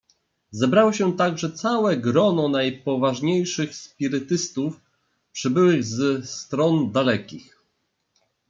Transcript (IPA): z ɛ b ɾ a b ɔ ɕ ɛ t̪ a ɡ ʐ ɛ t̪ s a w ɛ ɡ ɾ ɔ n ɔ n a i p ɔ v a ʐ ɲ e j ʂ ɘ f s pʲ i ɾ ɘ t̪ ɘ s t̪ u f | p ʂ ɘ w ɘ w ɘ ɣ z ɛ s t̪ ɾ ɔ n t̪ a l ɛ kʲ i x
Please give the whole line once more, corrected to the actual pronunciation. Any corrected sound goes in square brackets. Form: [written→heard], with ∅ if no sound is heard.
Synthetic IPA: z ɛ b ɾ a [b→w] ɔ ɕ ɛ t̪ a ɡ ʐ ɛ t̪ s a w ɛ ɡ ɾ ɔ n ɔ n a [i→j] p ɔ v a ʐ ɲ e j ʂ ɘ [f→x] s pʲ i ɾ ɘ t̪ ɘ s t̪ u f | p ʂ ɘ [w→b] ɘ w ɘ ɣ z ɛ s t̪ ɾ ɔ n [t̪→d̪] a l ɛ kʲ i x